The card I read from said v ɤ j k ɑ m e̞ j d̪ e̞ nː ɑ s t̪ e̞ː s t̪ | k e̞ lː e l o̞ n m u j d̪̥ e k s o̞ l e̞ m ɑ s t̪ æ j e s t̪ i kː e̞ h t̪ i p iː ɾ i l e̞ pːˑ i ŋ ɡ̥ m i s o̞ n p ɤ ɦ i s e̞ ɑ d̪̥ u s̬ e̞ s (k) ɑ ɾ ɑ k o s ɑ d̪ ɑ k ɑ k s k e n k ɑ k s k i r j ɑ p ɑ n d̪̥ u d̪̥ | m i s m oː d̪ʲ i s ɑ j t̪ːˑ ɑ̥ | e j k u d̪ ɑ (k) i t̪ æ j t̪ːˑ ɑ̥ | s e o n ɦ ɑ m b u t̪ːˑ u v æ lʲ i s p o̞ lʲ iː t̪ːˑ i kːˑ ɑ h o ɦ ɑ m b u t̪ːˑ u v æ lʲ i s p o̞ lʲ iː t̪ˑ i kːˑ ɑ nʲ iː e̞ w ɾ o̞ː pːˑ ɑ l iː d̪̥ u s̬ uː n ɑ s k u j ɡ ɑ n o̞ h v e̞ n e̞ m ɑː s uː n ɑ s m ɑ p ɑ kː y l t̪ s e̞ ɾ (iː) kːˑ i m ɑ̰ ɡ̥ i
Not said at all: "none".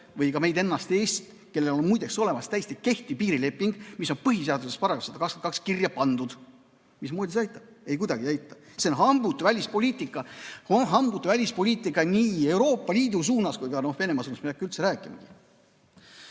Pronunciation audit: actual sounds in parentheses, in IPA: p, ɡ, æː

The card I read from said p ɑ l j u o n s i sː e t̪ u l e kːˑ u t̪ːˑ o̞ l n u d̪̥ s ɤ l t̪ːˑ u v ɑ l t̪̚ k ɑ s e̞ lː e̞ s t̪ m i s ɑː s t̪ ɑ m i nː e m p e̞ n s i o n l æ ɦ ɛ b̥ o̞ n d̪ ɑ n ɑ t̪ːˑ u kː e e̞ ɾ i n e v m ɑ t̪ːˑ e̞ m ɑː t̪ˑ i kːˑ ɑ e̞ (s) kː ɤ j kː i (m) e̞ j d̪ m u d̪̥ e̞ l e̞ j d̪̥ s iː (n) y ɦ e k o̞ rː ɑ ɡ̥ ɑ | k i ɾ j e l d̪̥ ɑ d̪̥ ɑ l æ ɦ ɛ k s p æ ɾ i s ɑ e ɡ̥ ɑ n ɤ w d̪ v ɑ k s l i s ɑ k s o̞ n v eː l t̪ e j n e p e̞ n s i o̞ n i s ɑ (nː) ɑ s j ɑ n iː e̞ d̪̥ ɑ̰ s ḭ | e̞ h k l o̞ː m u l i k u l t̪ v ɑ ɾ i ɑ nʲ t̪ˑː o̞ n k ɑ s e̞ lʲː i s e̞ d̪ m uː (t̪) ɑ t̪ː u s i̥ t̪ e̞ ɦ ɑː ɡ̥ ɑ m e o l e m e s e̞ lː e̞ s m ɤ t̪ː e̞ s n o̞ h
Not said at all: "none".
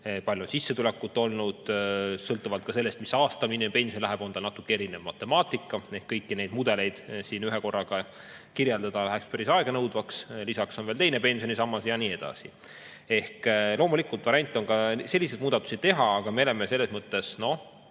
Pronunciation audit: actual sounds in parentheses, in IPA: h, n, n, mː, d̪

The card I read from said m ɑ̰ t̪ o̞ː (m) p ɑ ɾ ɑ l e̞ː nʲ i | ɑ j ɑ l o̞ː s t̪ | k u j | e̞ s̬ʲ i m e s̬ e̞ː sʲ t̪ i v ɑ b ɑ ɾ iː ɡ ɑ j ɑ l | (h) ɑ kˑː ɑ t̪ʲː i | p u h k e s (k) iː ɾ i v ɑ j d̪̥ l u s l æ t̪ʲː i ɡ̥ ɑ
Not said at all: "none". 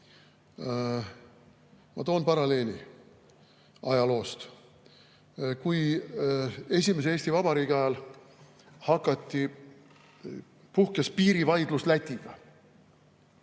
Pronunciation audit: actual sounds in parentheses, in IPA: n, h, p

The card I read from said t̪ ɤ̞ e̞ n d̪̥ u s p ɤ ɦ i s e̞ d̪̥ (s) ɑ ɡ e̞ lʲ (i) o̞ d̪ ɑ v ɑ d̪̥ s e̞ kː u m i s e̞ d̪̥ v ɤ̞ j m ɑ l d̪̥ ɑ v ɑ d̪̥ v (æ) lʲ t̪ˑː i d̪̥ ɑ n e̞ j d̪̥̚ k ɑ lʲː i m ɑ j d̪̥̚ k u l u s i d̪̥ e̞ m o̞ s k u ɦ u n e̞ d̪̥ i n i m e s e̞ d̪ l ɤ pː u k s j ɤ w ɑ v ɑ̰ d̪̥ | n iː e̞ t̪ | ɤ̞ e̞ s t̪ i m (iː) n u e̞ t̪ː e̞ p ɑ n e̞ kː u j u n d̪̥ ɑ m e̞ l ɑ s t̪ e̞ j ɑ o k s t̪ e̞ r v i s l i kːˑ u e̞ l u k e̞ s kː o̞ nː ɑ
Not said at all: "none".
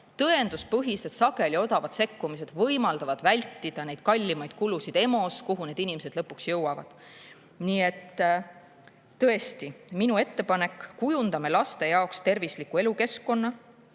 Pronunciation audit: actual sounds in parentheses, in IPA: s, i, æ, i

